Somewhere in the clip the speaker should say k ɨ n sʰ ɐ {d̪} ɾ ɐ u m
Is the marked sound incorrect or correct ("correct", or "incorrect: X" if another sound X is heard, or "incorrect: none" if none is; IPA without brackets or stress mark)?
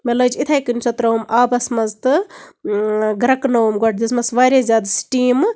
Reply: incorrect: t̪